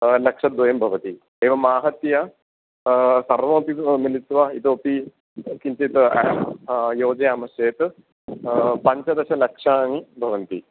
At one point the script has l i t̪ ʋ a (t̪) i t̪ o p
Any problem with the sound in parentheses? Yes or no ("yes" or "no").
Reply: yes